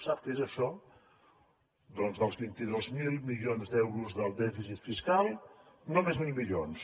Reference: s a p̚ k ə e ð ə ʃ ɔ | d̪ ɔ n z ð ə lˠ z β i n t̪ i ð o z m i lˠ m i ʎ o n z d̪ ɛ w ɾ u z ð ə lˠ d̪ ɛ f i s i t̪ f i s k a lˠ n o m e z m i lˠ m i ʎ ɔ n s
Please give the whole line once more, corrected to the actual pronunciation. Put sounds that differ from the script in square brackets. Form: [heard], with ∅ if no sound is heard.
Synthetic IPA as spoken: s a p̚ k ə e [z] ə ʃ ɔ | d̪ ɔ n z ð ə lˠ z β i n t̪ i ð o z m i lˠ m i ʎ o n z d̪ ɛ w ɾ u z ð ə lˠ d̪ ɛ f i s i t̪ f i s k a lˠ n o m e z m i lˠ m i ʎ [o] n s